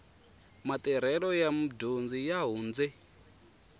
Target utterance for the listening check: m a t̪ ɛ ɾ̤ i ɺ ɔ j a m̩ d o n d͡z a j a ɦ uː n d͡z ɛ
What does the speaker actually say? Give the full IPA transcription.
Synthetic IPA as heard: m a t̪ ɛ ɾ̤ ɛ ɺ ɔ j a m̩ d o n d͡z i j a ɦ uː n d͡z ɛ